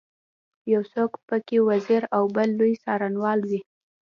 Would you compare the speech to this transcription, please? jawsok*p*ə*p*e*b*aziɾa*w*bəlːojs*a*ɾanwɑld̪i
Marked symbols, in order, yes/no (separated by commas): yes, no, no, yes, no